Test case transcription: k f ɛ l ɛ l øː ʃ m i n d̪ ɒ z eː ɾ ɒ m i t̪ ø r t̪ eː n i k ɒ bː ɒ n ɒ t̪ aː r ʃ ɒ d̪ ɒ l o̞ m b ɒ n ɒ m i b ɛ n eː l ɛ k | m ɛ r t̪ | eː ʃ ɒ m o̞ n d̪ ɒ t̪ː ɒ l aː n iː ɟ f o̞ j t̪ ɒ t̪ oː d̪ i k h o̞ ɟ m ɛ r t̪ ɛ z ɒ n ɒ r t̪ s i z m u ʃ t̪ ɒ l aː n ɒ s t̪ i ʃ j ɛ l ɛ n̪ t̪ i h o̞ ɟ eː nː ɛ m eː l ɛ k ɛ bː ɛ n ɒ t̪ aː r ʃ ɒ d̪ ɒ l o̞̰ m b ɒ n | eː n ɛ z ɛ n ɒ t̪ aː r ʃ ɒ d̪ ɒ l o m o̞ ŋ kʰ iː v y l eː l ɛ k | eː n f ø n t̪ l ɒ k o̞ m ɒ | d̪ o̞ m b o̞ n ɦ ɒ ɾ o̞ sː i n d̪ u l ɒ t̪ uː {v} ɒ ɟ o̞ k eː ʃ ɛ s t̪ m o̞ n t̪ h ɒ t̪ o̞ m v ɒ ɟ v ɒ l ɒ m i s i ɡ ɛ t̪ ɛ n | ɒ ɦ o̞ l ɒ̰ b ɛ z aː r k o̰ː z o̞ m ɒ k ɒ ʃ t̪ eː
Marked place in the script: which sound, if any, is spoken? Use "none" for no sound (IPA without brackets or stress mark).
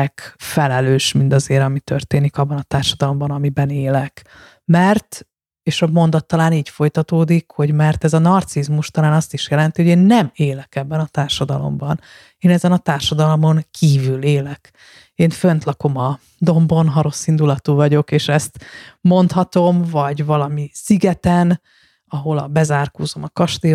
v